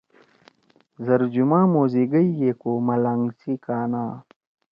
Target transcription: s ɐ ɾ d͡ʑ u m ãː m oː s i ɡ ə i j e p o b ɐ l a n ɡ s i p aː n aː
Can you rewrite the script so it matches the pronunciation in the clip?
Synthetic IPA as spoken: z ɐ ɾ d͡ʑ u m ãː m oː z i ɡ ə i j e k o m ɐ l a ŋ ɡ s i k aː n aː